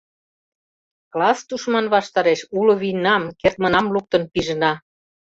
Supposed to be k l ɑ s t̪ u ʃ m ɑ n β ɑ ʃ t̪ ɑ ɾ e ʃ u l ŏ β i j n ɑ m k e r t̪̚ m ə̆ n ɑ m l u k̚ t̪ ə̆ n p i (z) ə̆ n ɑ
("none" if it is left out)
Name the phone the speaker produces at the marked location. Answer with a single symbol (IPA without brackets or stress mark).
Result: ʒ